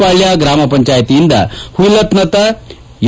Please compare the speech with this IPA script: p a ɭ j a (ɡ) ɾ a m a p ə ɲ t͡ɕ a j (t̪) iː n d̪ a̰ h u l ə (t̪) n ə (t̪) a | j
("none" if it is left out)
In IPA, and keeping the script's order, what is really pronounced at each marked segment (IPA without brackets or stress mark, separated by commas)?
ɡ, t̪, t̪, t̪